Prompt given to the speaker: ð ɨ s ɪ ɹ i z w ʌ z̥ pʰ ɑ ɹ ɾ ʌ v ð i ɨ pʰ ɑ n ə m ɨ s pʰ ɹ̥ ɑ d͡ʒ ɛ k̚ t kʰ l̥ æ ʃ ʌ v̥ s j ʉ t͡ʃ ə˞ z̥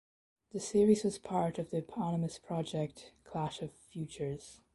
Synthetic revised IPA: ð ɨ s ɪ ɹ i z w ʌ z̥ pʰ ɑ ɹ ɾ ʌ v ð i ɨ pʰ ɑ n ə m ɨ s pʰ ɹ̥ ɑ d͡ʒ ɛ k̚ t kʰ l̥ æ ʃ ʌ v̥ f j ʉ t͡ʃ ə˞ z̥